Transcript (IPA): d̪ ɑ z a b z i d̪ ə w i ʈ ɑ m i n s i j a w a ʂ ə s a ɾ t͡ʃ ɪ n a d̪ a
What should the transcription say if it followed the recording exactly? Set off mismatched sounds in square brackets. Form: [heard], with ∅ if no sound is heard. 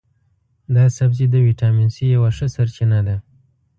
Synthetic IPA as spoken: d̪ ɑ [s] a b z i d̪ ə w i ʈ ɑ m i n s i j a w a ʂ ə s a ɾ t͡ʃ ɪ n a d̪ a